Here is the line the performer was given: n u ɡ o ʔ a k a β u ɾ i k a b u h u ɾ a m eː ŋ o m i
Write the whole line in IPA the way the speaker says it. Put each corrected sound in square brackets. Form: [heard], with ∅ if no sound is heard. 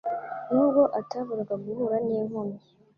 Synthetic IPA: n u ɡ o ʔ a [t] a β u ɾ [a] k a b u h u ɾ a [n] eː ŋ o m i